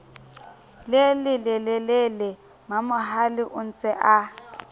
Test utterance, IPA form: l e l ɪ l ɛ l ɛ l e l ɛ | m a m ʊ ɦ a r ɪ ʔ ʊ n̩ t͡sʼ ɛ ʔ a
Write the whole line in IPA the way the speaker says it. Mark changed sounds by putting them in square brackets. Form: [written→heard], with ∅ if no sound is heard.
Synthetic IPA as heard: l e l ɪ l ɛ l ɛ l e l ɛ | m a m ʊ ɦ a [r→l] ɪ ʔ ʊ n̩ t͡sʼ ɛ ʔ a